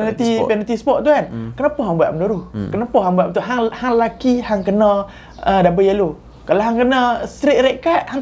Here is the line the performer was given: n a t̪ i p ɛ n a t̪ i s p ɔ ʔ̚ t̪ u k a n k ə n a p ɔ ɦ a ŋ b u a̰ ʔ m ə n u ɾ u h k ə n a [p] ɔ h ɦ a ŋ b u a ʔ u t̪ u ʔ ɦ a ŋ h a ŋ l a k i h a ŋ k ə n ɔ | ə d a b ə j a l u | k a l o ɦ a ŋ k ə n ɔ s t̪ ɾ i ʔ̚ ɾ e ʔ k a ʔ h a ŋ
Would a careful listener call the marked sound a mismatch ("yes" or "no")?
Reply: no